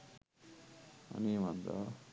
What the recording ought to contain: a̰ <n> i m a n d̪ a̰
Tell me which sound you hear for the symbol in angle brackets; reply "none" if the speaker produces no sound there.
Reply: n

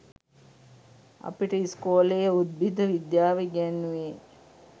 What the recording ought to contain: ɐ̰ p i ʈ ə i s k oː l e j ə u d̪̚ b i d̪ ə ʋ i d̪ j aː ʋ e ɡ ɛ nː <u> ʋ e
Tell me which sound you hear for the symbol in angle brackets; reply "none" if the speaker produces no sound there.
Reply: u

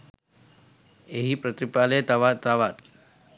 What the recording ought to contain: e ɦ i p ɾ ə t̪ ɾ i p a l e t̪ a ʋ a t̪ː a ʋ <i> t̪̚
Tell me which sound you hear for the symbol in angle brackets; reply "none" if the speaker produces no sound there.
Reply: a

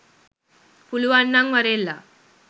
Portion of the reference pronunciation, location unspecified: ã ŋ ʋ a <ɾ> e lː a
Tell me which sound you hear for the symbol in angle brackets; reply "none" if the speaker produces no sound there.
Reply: ɾ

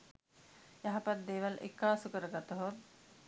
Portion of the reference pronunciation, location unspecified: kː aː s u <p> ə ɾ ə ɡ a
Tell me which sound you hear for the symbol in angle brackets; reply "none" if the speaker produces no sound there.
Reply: k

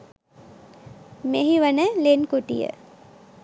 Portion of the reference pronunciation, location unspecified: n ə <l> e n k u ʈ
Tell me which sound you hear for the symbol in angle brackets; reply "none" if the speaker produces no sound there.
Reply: l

